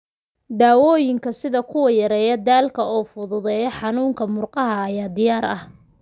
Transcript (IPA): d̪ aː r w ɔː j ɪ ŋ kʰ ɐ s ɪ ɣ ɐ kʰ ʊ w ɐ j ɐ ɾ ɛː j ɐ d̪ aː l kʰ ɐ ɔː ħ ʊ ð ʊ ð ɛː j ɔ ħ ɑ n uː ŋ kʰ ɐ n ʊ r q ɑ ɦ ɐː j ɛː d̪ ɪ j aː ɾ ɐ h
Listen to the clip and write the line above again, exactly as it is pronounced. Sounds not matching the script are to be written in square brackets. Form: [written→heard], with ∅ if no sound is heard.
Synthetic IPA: d̪ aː [r→∅] w ɔː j ɪ ŋ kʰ ɐ s ɪ [ɣ→ð] ɐ kʰ ʊ w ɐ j ɐ ɾ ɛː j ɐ d̪ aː l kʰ ɐ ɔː [ħ→f] ʊ ð ʊ ð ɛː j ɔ ħ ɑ n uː ŋ kʰ ɐ [n→m] ʊ r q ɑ ɦ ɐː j [ɛː→aː] d̪ ɪ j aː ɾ ɐ h